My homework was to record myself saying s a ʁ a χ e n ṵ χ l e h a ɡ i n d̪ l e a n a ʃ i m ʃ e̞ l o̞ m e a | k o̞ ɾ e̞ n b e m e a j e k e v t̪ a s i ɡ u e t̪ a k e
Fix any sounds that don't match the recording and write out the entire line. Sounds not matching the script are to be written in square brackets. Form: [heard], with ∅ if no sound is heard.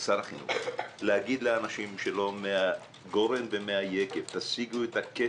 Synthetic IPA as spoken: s a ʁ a χ [i] n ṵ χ l e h a ɡ i [∅] d̪ l e a n a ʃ i m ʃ e̞ l o̞ m e a | [ɡ] o̞ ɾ e̞ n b e m e a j e k e v t̪ a s i ɡ u e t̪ a k e

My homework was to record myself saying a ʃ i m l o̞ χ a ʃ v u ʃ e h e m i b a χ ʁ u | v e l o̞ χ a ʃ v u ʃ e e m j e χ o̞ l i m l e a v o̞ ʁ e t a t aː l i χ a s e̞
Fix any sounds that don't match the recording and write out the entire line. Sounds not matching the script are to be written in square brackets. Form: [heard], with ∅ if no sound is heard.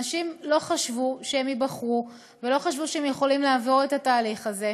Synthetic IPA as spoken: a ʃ i m l o̞ χ a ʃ v u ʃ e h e m i b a χ ʁ u | v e l o̞ χ a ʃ v u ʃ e e m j e χ o̞ l i m l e a v o̞ ʁ e t a t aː l i χ a [z] e̞

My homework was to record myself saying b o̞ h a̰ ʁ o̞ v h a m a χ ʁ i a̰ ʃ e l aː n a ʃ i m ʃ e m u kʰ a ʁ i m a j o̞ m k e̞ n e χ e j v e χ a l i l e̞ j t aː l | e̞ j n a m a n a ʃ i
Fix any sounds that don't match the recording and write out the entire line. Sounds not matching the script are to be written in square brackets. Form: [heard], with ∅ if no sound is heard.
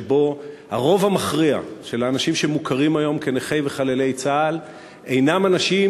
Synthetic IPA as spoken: b o̞ h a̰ ʁ o̞ v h a m a χ ʁ i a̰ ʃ e l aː n a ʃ i m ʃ e m u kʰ a ʁ i m a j o̞ m k e̞ n e χ e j v e χ a l [e] l e̞ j [t͡s] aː l | e̞ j n a m a n a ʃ i

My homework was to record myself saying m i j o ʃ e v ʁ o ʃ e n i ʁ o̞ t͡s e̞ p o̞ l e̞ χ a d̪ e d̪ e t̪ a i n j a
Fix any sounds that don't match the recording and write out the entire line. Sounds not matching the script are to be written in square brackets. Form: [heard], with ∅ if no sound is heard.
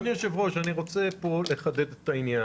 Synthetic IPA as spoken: [n] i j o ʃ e v ʁ o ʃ [a] n i ʁ o̞ t͡s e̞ p o̞ l e̞ χ a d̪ e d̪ e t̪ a i n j a

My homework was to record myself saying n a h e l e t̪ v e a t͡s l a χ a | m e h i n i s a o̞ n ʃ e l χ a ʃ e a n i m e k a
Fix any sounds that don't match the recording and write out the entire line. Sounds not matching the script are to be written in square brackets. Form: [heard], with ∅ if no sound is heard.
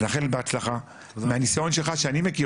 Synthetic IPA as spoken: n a [χ] e l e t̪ [b] e a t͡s l a χ a | m e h [a] n i s a o̞ n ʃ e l χ a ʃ e a n i m e k [i]

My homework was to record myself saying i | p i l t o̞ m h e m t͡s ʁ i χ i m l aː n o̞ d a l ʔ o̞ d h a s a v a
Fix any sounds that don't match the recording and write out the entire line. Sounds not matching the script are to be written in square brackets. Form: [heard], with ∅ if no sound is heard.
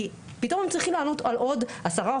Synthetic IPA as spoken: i | p i [∅] t o̞ m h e m t͡s ʁ i χ i m l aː n o̞ [t] a l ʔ o̞ d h a s a [ʁ] a

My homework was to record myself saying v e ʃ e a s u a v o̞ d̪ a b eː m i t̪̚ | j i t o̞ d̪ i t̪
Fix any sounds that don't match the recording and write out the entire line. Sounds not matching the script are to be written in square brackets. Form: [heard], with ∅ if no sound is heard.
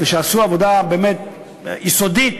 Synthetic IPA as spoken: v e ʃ e a s u a v o̞ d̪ a b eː m [e] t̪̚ | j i [s] o̞ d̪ i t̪

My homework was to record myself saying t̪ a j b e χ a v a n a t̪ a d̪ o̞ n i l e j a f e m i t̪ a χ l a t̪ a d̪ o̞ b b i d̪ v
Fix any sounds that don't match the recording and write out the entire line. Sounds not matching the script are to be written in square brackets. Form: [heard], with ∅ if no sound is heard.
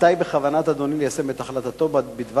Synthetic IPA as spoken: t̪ a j b e χ a v a n a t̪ a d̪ o̞ n i l e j a [s] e m [e] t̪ a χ l a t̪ a [t̪] o̞ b b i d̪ v

